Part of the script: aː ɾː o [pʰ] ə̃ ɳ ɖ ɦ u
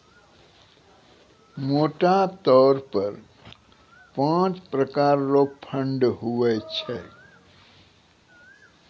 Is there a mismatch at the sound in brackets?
no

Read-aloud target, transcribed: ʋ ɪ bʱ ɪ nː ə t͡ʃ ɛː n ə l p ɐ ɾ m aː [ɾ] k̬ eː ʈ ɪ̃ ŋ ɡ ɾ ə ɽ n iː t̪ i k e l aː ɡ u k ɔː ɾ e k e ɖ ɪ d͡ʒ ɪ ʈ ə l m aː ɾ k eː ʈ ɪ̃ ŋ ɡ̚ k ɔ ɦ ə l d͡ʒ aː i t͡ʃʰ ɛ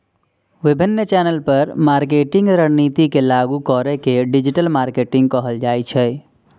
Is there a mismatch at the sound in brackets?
no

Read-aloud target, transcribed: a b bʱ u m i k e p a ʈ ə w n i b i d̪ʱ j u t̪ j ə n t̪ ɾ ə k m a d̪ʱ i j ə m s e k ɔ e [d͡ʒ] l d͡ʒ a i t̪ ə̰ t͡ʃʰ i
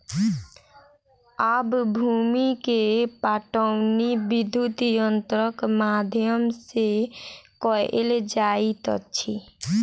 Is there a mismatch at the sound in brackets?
yes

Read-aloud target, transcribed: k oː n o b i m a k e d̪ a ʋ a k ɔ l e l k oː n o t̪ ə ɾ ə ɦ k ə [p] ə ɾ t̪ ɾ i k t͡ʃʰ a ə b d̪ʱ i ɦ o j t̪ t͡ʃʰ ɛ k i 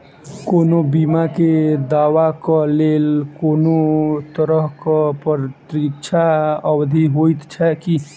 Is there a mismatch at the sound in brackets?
no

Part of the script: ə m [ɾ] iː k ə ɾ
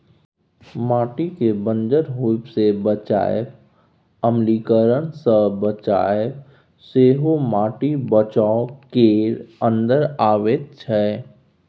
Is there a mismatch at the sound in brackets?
yes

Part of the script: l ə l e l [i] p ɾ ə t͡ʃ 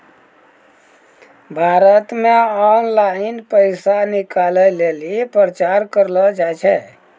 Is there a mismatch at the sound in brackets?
no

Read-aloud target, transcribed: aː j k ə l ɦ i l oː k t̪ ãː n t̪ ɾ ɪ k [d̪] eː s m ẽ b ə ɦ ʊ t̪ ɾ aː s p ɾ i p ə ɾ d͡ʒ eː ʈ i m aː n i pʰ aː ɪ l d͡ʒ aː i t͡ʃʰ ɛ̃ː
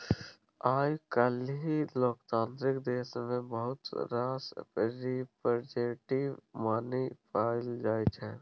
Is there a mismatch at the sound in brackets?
no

